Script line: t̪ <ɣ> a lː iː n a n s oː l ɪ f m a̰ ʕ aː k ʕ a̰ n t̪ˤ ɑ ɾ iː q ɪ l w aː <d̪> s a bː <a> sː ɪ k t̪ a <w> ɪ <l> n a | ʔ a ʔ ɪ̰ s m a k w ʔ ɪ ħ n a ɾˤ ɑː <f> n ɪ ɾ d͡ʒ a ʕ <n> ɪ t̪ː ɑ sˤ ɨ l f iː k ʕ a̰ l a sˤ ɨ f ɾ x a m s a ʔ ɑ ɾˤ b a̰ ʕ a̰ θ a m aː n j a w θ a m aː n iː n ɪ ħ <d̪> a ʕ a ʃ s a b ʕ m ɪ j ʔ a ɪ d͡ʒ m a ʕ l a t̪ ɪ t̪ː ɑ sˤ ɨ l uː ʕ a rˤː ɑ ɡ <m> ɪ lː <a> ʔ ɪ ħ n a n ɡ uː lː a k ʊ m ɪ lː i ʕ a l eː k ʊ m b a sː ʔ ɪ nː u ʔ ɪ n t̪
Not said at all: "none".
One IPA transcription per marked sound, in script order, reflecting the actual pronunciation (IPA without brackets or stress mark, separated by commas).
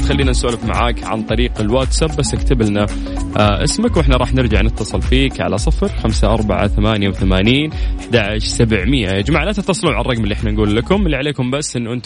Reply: x, t̪, a, b, l, ħ, n, d̪, m, i